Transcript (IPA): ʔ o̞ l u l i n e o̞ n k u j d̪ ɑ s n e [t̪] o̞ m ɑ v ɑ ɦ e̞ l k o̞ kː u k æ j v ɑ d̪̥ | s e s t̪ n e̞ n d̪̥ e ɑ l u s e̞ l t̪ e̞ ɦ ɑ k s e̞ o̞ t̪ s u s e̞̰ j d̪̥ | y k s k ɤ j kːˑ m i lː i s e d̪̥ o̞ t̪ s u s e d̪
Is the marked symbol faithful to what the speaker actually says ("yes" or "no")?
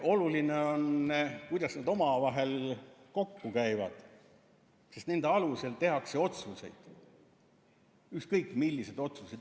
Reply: no